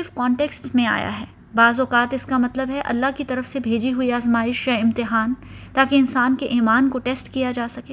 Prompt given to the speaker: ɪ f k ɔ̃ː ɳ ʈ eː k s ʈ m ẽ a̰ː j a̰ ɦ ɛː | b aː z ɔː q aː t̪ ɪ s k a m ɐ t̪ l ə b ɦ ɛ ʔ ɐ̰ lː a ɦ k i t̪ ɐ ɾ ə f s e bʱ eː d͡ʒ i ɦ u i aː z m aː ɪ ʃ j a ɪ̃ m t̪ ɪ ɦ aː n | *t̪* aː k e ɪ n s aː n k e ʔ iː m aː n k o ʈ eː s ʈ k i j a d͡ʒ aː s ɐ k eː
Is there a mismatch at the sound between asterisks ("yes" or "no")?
no